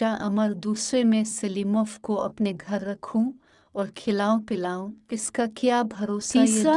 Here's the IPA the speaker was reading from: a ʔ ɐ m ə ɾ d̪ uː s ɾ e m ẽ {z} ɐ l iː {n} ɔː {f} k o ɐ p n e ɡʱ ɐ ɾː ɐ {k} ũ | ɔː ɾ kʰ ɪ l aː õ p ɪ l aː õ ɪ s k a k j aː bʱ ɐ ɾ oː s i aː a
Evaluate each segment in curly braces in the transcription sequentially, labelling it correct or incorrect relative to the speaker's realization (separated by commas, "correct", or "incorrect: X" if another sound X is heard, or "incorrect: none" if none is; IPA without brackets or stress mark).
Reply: incorrect: s, incorrect: m, correct, incorrect: kʰ